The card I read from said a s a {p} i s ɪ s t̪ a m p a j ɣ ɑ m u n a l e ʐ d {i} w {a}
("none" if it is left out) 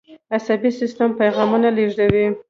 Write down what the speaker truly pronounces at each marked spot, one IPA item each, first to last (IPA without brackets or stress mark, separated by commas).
b, a, i